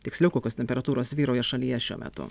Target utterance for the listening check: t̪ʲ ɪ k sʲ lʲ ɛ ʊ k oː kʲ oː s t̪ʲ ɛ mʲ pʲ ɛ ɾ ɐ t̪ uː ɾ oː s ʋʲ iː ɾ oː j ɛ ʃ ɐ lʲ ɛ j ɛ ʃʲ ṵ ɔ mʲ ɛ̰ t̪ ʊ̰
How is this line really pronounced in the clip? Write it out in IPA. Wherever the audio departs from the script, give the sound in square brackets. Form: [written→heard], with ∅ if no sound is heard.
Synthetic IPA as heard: t̪ʲ ɪ k sʲ lʲ ɛ ʊ k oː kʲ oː s t̪ʲ ɛ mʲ pʲ ɛ ɾ ɐ t̪ uː ɾ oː s ʋʲ iː ɾ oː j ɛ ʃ ɐ lʲ [ɛ→i] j ɛ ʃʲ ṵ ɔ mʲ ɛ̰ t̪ ʊ̰